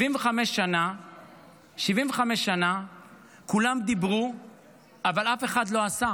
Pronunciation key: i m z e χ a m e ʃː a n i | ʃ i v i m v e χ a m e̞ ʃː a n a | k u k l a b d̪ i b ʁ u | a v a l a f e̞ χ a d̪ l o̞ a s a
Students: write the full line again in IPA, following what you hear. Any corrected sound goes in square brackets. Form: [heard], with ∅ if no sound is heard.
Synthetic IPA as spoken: i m [v] e χ a m e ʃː a n [a] | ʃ i v i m v e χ a m e̞ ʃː a n a | k u [∅] l a [m] d̪ i b ʁ u | a v a l a f e̞ χ a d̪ l o̞ a s a